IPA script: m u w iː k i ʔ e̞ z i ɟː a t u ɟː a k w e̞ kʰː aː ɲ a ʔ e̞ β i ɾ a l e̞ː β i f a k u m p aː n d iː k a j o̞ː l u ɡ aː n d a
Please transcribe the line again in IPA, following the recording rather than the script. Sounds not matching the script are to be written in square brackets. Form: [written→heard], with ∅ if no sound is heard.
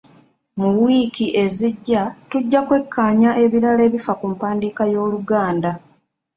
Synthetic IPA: m u w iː k i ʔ e̞ z i ɟː a t u ɟː a k w e̞ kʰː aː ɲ a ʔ e̞ β i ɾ a l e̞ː β i f a k u m p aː n d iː k a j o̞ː l u ɡ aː n d a